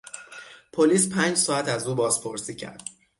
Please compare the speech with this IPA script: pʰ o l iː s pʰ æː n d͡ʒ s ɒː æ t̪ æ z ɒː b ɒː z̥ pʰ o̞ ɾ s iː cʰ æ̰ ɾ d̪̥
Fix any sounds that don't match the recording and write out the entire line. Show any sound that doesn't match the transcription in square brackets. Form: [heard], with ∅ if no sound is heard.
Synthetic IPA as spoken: pʰ o l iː s pʰ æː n d͡ʒ s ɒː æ t̪ æ z [uː] b ɒː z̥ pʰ o̞ ɾ s iː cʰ æ̰ ɾ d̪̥